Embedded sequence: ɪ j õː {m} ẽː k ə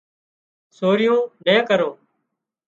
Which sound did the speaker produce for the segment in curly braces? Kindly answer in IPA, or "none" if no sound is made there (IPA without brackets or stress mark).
n